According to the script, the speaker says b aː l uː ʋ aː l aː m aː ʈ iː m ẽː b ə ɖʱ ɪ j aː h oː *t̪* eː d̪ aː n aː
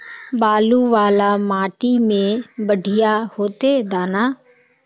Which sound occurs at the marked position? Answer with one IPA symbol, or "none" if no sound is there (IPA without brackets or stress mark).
t̪